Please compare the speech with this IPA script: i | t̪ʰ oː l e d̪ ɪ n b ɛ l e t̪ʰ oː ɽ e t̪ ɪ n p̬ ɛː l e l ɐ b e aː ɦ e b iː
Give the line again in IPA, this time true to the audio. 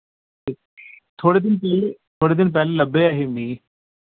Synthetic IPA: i | t̪ʰ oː ɽ e d̪ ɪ n p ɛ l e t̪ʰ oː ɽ e d̪ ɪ n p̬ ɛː l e l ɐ b e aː ɦ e m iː